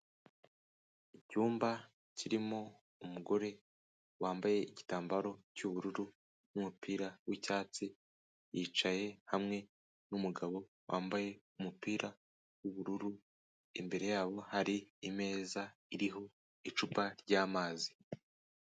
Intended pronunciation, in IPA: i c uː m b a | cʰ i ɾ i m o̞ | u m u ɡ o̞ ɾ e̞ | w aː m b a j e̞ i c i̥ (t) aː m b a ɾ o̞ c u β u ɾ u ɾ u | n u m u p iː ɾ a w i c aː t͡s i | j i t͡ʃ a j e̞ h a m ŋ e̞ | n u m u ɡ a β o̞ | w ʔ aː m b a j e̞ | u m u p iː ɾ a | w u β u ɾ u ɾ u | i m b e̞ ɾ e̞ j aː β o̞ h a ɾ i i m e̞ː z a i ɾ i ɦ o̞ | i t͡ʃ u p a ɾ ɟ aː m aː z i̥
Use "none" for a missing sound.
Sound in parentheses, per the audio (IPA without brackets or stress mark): t